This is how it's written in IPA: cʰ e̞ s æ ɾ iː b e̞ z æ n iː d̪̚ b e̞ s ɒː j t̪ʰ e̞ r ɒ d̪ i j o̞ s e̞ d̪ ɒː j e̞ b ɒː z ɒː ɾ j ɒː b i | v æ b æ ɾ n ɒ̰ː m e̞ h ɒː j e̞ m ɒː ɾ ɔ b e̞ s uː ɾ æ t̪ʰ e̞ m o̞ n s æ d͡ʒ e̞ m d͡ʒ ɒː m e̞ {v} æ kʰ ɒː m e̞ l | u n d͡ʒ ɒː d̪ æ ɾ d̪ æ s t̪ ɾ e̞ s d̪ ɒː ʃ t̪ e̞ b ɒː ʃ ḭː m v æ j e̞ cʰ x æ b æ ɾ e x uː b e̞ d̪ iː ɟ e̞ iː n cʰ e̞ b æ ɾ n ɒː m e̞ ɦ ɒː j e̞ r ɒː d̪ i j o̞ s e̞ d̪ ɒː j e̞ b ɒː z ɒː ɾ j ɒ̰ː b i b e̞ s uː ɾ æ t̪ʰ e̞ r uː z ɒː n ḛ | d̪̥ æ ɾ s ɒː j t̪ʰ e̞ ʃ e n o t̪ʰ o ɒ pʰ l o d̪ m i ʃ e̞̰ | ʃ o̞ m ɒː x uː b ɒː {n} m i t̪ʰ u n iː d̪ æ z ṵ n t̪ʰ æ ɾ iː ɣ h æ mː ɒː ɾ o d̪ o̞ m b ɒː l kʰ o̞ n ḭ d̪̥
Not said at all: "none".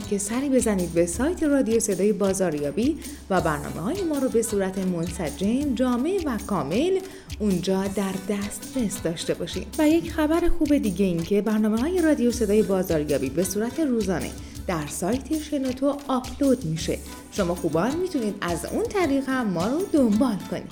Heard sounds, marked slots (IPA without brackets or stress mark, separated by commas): v, n